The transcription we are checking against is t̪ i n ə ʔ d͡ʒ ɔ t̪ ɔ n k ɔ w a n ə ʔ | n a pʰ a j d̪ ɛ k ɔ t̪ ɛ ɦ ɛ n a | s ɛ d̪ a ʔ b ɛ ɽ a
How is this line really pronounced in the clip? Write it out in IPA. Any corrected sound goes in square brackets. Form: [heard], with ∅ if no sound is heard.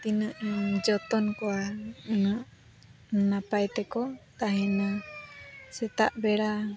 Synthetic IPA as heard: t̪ i n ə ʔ d͡ʒ ɔ t̪ ɔ n k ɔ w a n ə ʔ | n a [p] a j [t̪] ɛ k ɔ t̪ [a] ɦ ɛ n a | s ɛ [t̪] a ʔ b ɛ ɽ a